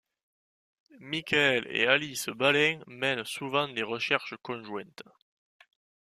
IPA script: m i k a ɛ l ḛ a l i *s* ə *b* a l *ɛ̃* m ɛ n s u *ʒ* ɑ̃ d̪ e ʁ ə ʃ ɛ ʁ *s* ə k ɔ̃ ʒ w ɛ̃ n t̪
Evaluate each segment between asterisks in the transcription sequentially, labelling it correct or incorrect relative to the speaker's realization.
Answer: correct, correct, correct, incorrect: v, incorrect: ʃ

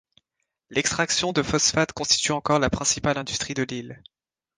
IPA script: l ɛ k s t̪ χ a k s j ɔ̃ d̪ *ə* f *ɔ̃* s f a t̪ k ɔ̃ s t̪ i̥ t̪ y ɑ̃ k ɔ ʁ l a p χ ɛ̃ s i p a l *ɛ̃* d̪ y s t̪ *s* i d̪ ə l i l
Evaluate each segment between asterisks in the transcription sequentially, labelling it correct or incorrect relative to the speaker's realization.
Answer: correct, incorrect: ɔ, correct, incorrect: χ

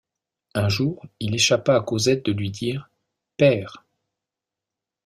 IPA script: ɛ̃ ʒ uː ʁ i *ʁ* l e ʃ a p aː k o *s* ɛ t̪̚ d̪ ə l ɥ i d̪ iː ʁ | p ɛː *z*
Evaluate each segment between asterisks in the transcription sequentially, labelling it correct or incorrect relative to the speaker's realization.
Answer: incorrect: none, incorrect: z, incorrect: ʁ

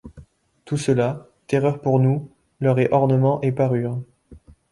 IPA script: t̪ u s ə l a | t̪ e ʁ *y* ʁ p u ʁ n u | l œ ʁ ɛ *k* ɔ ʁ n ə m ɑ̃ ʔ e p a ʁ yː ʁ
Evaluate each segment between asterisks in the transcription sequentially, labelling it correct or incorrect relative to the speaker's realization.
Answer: incorrect: œ, incorrect: ʔ

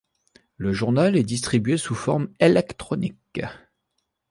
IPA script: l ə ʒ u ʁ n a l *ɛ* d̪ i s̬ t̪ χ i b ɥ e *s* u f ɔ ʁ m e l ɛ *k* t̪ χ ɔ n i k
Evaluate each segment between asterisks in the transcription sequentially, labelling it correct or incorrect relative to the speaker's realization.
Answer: correct, correct, correct

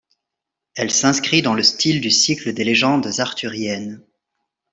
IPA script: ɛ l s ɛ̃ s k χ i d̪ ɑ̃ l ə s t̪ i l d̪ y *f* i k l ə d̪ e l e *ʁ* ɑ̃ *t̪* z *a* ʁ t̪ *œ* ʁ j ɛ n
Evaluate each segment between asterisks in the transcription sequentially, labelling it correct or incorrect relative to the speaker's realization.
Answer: incorrect: s, incorrect: ʒ, incorrect: d̪, correct, incorrect: y

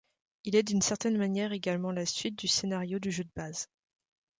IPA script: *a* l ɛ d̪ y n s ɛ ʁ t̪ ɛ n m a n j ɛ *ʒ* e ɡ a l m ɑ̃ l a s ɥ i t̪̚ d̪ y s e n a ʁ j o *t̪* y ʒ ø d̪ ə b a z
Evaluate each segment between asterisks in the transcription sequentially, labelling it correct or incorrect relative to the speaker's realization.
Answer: incorrect: i, incorrect: ʁ, incorrect: d̪

